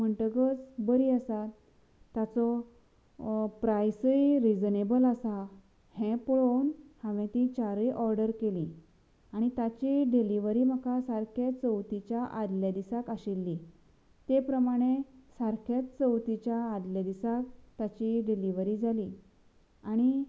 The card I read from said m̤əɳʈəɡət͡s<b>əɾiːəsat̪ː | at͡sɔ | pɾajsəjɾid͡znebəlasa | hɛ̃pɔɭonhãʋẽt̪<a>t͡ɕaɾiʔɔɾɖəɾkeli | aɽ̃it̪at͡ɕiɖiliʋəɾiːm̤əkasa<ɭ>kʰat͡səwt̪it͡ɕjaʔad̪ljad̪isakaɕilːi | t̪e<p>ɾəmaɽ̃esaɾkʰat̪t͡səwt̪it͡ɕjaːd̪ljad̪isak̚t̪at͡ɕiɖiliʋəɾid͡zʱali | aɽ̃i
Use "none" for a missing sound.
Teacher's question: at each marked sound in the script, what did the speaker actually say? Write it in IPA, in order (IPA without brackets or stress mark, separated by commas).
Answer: b, i, ɾ, p